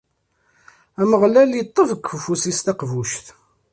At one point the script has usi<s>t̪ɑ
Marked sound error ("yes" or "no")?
no